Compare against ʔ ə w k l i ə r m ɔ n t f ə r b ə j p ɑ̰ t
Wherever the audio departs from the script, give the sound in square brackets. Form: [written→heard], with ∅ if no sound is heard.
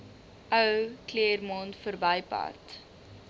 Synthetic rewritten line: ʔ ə w k l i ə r m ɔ n t f ə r b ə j p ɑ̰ t